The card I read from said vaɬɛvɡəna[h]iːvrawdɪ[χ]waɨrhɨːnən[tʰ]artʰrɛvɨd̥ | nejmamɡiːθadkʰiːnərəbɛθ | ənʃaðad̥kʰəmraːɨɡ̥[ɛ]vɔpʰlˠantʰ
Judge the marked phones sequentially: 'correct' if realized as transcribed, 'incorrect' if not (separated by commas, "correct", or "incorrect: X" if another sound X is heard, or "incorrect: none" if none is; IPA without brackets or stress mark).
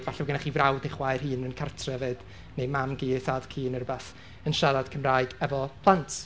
incorrect: χ, correct, incorrect: kʰ, correct